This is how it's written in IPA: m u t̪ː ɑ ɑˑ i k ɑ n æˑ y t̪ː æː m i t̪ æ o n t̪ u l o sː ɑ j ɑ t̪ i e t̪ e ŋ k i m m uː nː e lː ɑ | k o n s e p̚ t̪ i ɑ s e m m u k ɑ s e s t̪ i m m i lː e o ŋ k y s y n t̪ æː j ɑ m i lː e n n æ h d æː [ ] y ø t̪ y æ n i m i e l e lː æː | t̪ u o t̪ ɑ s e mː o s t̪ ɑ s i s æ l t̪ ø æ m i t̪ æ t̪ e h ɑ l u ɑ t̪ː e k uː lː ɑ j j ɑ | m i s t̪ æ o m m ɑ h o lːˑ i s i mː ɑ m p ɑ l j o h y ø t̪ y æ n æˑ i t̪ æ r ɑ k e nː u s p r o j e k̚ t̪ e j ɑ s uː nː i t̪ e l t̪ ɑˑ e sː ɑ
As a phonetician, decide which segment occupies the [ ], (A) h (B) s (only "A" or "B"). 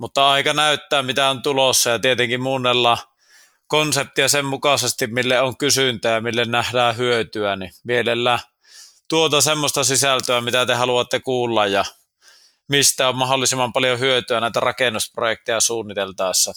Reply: A